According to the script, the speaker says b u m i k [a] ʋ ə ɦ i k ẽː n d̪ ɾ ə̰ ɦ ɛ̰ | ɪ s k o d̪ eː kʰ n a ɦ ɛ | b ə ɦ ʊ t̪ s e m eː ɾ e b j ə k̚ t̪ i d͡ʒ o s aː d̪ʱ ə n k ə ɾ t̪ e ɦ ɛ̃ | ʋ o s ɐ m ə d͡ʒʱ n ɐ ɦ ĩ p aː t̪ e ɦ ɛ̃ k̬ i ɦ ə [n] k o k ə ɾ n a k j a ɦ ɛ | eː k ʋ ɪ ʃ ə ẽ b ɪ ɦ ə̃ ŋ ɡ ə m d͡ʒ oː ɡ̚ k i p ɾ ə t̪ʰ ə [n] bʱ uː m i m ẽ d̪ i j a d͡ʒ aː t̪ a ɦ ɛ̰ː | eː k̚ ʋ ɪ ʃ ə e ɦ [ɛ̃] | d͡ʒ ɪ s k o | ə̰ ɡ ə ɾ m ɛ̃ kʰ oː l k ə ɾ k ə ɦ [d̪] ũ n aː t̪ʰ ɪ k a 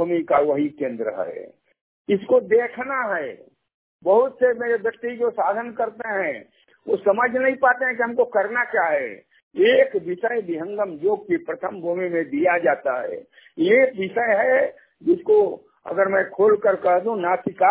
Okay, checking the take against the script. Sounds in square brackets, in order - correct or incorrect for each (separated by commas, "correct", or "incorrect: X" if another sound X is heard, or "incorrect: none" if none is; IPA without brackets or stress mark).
correct, incorrect: m, incorrect: m, incorrect: ɛ, correct